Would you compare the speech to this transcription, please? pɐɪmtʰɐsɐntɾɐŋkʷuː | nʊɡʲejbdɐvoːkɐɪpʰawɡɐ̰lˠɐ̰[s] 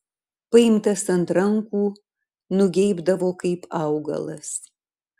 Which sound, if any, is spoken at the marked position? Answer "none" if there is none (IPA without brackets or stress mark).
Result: s